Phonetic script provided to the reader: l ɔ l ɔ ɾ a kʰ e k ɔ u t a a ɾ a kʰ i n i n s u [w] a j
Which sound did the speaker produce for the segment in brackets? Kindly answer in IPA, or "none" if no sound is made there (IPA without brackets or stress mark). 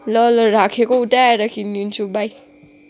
b